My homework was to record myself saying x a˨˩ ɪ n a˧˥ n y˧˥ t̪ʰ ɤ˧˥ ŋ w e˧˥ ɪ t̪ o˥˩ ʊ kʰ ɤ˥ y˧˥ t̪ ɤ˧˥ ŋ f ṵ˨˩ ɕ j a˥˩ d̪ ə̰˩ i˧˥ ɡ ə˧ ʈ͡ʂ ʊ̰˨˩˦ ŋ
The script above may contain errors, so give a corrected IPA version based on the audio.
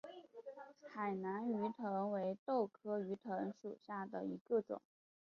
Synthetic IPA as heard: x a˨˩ ɪ n a˧˥ n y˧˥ t̪ʰ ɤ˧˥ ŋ w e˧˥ ɪ t̪ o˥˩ ʊ kʰ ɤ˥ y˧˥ t̪ʰ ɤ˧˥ ŋ ʂ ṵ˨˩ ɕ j a˥˩ d̪ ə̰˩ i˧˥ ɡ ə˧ ʈ͡ʂ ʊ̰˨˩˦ ŋ